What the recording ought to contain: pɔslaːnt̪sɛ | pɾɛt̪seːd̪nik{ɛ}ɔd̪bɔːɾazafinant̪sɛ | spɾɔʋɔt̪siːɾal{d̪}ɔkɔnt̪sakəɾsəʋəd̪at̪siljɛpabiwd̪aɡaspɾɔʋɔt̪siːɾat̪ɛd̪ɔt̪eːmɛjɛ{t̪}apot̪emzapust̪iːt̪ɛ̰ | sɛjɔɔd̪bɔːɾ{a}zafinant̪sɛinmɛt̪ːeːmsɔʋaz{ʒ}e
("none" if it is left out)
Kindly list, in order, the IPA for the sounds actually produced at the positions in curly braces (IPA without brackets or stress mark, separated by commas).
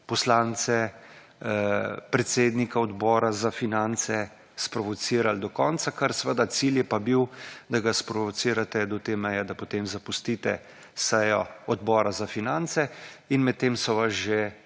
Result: a, d̪, d̪, a, ʒ